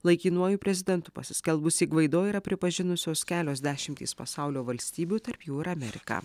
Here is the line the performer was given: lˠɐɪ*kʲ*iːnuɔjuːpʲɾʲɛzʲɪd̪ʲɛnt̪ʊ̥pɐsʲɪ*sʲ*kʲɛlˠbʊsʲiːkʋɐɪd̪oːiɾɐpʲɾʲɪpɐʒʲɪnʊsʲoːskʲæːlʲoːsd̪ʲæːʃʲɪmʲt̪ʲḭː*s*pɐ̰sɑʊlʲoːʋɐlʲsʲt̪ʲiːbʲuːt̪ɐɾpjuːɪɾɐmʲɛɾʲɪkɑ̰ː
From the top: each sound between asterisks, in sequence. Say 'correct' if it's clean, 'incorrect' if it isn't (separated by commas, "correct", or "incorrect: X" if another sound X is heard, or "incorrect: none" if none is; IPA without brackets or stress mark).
correct, correct, correct